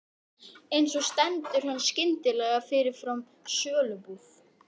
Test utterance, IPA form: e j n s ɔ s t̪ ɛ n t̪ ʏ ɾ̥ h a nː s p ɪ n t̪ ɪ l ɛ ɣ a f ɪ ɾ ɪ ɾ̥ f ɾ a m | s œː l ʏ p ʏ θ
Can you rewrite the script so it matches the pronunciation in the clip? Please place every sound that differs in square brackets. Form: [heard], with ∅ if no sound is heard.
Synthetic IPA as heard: e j n s ɔ s t̪ ɛ n t̪ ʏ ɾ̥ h a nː s [c] ɪ n t̪ ɪ l ɛ ɣ a f ɪ ɾ ɪ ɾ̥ f ɾ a m | s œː l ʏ p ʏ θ